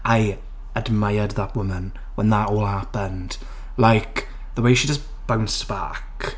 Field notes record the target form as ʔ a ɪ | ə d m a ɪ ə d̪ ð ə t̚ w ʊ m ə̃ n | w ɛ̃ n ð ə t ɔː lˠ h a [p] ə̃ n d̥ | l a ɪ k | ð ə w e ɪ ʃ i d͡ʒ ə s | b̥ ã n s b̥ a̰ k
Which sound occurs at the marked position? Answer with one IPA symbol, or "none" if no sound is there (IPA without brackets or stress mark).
p